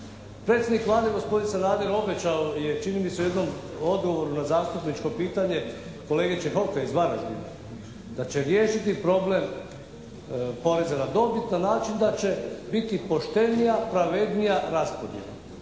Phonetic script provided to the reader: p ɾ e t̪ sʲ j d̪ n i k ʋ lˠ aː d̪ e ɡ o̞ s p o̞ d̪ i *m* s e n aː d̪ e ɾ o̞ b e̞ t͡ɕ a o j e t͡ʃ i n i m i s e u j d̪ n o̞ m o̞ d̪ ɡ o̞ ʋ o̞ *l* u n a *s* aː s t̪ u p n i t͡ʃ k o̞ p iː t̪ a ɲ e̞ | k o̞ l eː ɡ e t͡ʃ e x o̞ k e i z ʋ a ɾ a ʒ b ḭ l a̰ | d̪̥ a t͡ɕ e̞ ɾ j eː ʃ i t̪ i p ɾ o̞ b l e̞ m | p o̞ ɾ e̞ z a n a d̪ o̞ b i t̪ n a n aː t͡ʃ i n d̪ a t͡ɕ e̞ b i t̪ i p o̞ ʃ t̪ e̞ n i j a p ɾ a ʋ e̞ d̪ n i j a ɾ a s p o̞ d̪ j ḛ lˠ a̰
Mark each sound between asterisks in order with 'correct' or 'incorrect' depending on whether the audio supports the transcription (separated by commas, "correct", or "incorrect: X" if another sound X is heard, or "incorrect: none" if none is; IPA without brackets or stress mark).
incorrect: n, incorrect: ɾ, incorrect: z